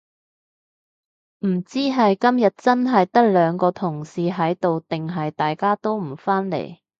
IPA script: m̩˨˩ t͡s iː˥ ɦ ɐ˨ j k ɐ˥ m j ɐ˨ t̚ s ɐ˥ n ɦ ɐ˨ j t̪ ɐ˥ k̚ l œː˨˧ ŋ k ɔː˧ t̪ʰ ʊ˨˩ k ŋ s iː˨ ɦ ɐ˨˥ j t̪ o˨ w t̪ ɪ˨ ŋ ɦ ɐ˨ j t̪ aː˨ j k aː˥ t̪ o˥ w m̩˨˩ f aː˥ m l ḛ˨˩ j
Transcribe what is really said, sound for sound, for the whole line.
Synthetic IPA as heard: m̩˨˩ t͡s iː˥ ɦ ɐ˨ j k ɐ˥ m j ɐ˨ t̚ t͡s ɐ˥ n ɦ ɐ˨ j t̪ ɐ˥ k̚ l œː˨˧ ŋ k ɔː˧ t̪ʰ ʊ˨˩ ŋ s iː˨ ɦ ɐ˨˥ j t̪ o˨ w t̪ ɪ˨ ŋ ɦ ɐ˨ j t̪ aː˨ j k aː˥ t̪ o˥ w m̩˨˩ f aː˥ n l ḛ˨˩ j